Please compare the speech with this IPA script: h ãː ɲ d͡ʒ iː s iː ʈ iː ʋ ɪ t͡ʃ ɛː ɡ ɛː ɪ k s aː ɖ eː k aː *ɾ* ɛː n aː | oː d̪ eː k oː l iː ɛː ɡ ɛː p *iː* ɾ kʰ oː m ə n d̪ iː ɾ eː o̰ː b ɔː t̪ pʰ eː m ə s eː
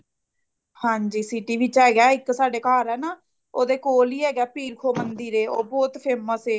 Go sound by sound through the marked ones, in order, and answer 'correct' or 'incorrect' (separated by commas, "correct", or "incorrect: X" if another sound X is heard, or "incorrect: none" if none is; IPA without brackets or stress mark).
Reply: correct, correct